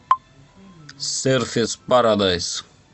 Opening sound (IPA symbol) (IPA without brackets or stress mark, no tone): s